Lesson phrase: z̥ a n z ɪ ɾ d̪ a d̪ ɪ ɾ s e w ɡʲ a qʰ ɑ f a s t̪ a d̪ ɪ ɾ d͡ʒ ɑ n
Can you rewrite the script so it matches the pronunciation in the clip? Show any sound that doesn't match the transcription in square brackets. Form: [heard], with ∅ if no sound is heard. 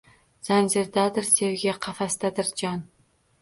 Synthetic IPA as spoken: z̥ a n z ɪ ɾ d̪ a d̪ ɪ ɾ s e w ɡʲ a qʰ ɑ f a s t̪ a d̪ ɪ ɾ d͡ʒ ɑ n